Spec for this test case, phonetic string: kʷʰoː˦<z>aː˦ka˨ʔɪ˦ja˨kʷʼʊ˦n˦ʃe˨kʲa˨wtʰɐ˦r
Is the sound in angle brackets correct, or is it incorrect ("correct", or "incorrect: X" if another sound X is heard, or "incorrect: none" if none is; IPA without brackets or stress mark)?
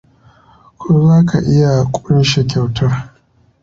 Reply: correct